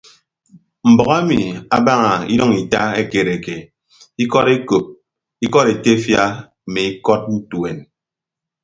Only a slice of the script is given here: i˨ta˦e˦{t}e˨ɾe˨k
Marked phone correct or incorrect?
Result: incorrect